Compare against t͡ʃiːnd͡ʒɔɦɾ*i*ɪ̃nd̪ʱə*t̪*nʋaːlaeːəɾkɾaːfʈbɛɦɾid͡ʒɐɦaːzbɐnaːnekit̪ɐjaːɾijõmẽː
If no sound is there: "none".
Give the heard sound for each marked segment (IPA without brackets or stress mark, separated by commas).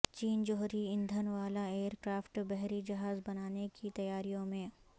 i, none